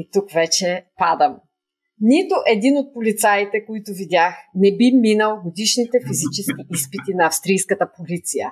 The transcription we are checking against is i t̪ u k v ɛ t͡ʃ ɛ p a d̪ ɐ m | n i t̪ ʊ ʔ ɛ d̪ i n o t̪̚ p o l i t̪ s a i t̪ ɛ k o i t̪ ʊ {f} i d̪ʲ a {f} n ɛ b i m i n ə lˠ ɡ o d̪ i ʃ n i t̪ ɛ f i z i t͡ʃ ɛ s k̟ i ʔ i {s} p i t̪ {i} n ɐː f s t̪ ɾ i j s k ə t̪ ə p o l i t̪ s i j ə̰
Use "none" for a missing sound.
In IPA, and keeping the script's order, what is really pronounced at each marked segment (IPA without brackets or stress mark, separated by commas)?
v, x, s, i